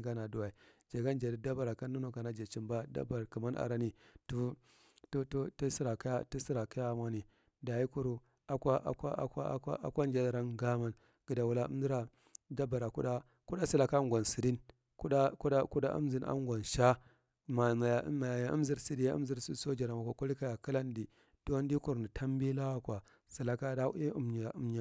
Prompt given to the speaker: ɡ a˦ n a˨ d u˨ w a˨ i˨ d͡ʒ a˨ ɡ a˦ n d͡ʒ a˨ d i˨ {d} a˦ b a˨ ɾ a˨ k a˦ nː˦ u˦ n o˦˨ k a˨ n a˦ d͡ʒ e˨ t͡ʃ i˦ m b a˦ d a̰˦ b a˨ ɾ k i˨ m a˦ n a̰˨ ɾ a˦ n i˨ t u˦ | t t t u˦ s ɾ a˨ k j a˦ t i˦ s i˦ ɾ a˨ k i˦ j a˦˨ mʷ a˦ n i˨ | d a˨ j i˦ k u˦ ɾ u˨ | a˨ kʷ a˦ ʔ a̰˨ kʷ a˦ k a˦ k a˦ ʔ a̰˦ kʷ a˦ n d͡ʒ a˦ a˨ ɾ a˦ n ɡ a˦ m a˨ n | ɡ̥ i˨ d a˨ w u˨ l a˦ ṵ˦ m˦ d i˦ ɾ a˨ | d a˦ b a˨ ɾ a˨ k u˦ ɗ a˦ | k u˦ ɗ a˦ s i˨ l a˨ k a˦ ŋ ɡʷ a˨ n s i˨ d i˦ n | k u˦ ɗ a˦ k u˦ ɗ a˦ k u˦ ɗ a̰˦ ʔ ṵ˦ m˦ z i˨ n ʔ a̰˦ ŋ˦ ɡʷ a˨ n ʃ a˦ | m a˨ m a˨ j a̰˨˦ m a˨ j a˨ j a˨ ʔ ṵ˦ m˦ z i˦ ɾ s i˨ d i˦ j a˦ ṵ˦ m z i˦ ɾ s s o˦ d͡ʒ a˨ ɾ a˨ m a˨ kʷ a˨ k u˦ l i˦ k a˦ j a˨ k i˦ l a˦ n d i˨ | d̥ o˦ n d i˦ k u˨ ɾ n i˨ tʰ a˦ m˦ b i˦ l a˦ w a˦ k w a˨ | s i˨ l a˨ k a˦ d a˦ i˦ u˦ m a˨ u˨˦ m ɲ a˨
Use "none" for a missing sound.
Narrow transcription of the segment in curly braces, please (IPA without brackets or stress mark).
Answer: d